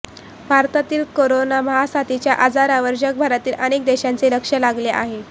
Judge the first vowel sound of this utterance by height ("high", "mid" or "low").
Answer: low